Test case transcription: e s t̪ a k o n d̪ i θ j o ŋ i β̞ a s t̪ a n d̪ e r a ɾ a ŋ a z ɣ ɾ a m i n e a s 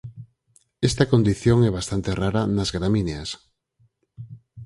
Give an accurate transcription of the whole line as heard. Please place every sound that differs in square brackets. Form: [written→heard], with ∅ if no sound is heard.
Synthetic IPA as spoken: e s t̪ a k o n d̪ i θ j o ŋ [i→ɛ] β̞ a s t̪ a n [d̪→t̪] e r a ɾ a [ŋ→n] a z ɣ ɾ a m i n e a s